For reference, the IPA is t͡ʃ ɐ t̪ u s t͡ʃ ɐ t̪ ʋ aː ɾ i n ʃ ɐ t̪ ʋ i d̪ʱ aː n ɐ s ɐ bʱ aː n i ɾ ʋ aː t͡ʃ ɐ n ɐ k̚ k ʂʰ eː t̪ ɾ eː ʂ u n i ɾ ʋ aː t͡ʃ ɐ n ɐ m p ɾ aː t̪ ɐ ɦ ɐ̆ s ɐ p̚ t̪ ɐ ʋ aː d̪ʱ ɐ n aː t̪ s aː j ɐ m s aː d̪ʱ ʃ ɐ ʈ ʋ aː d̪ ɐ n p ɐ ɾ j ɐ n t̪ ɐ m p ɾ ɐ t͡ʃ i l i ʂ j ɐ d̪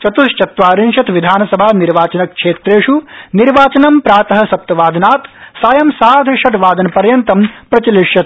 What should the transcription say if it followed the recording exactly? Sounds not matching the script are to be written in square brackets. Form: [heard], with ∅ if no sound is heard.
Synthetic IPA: t͡ʃ ɐ t̪ u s t͡ʃ ɐ t̪ ʋ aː ɾ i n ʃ ɐ t̪ ʋ i d̪ʱ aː n ɐ s ɐ bʱ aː n i ɾ ʋ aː t͡ʃ ɐ n ɐ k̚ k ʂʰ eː t̪ ɾ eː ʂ u n i ɾ ʋ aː t͡ʃ ɐ n ɐ m p ɾ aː t̪ ɐ ɦ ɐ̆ s ɐ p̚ t̪ ɐ ʋ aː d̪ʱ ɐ n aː t̪ s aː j ɐ m s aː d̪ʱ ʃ ɐ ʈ ʋ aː d̪ ɐ n p ɐ ɾ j ɐ n t̪ ɐ m p ɾ ɐ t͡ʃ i l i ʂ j ɐ [t̪]